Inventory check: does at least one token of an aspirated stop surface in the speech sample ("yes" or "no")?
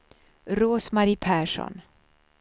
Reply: yes